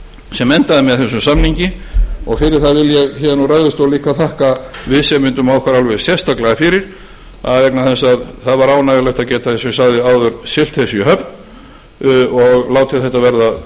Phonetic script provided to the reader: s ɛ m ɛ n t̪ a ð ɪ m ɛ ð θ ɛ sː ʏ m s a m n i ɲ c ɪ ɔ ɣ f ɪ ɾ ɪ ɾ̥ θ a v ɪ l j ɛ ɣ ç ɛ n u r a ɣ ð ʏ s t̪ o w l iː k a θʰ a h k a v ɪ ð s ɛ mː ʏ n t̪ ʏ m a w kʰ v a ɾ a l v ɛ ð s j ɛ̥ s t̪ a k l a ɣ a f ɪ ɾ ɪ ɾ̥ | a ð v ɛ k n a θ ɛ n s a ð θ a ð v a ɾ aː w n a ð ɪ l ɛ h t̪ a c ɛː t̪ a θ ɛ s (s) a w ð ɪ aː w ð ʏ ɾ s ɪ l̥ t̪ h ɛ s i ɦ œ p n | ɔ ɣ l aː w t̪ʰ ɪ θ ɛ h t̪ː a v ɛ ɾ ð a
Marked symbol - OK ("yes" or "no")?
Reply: yes